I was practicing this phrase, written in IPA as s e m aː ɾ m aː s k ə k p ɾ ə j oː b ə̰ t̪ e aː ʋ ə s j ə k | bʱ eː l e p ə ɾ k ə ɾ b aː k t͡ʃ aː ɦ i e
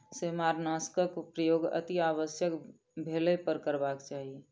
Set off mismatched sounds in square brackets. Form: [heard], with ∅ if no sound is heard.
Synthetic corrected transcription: s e m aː ɾ [n] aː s k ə k p ɾ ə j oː [ɡ] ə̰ t̪ [i] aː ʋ ə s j ə k | bʱ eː l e p ə ɾ k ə ɾ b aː k t͡ʃ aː ɦ i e